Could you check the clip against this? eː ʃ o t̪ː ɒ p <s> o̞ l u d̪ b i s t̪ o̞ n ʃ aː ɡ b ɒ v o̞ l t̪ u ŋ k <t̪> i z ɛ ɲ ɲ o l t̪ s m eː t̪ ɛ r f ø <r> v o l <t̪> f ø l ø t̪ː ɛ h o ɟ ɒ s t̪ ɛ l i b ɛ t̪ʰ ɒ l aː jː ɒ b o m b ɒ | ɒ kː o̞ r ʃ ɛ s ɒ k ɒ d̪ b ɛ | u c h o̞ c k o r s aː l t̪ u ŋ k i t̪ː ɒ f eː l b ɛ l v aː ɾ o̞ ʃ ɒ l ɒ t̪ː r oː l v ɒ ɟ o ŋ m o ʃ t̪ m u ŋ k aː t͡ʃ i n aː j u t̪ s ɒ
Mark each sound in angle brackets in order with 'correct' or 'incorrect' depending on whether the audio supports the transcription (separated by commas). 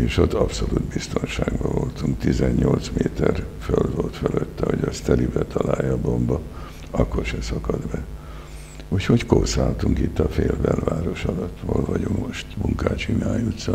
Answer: correct, correct, incorrect, correct